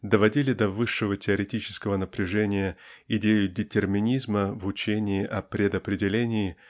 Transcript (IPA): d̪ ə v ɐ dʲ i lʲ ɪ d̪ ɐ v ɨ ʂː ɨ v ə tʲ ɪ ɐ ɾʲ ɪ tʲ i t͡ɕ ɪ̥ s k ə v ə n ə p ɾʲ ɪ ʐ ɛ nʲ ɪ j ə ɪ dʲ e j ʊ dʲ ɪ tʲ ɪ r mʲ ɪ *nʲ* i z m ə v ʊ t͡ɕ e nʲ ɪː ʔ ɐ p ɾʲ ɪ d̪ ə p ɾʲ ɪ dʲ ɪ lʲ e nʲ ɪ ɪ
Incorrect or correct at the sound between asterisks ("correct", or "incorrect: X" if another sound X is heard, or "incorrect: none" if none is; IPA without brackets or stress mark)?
correct